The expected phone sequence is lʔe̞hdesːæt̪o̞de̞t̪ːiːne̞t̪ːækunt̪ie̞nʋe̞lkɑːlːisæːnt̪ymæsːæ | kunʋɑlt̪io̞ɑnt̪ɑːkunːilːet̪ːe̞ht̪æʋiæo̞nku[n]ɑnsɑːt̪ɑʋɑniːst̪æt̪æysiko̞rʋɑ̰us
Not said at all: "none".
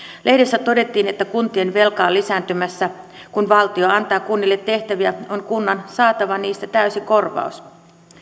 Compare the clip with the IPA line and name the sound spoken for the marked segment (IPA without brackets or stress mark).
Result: nː